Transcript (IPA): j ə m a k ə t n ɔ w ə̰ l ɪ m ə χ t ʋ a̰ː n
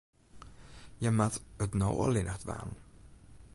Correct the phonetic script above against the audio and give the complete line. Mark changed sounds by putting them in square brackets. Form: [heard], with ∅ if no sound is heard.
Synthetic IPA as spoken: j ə m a [t] ə t n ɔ w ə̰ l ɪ [n] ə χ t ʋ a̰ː n